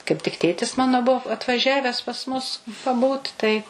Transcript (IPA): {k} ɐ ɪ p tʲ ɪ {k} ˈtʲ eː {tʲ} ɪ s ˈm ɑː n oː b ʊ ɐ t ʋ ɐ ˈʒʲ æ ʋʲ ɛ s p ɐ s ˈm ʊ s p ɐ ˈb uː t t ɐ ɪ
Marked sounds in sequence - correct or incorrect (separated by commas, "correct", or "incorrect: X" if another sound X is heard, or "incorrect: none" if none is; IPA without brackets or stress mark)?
correct, correct, correct